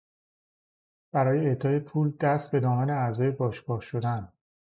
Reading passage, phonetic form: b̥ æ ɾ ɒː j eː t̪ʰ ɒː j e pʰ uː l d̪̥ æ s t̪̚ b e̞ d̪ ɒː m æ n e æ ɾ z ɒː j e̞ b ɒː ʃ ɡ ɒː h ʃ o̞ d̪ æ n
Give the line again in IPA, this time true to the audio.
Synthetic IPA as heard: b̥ æ ɾ ɒː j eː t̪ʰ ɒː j e pʰ uː l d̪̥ æ s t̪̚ b e̞ d̪ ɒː m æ n e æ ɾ z ɒː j e̞ b ɒː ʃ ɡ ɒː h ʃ o̞ d̪ æ n